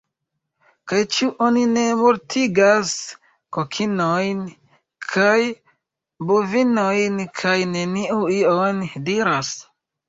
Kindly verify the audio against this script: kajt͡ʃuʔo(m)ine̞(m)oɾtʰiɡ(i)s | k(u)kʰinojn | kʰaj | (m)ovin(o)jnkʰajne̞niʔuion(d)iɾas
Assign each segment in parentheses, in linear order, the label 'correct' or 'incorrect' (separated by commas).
incorrect, correct, incorrect, incorrect, incorrect, correct, correct